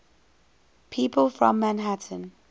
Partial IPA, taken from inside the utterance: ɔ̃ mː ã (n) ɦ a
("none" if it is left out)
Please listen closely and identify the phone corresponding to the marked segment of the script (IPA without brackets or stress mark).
n